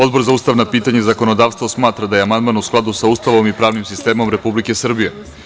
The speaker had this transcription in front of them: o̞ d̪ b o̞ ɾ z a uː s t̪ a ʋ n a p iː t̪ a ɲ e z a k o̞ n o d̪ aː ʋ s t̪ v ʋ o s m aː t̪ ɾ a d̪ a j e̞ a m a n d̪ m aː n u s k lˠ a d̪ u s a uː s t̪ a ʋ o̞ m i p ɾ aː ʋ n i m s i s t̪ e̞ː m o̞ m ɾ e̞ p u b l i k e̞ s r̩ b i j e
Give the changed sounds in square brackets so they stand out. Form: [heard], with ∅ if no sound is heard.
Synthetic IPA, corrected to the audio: o̞ d̪ b o̞ ɾ z a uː s t̪ a ʋ n a p iː t̪ a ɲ e z a k o̞ n o d̪ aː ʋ s t̪ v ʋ o s m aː t̪ ɾ a d̪ a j e̞ a m a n d̪ m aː n u s k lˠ a d̪ u s a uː s t̪ a ʋ o̞ m i p ɾ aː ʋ n i m s i s t̪ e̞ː m o̞ m ɾ e̞ p u b l i k e̞ s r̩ b i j e